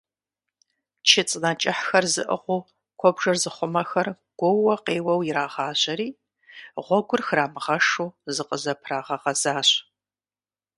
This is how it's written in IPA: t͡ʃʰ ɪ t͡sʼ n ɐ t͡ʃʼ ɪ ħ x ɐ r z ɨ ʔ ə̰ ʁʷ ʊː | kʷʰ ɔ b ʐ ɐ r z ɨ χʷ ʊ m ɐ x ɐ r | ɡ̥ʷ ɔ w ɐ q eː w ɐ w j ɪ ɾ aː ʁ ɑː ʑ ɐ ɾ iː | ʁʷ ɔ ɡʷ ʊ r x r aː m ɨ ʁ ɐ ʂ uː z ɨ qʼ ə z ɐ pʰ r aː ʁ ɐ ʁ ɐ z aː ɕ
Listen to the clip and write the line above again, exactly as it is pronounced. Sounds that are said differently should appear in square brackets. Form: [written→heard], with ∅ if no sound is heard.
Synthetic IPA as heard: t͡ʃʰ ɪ t͡sʼ n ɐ t͡ʃʼ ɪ ħ x ɐ r z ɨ ʔ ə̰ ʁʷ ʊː | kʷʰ ɔ b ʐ ɐ r z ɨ χʷ ʊ m ɐ x ɐ r | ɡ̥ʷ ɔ w ɐ q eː w ɐ w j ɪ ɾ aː ʁ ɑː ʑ ɐ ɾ iː | ʁʷ ɔ ɡʷ ʊ r x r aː m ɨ ʁ ɐ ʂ uː z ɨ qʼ ə z ɐ pʰ r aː ʁ ɐ ʁ ɐ z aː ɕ